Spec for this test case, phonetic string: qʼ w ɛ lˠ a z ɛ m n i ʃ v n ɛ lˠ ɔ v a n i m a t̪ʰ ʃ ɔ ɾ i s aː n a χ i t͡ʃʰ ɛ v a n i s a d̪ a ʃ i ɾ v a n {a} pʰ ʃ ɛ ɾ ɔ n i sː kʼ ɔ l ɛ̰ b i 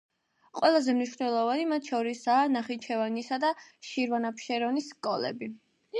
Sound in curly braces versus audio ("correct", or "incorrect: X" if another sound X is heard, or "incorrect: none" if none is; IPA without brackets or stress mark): correct